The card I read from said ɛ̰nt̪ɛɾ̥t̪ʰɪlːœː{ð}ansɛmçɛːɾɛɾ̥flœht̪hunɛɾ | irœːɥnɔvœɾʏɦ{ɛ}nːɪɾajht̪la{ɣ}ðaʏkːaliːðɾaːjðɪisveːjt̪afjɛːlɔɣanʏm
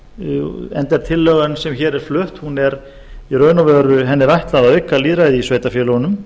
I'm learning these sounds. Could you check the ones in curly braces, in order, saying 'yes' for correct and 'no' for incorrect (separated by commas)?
no, yes, no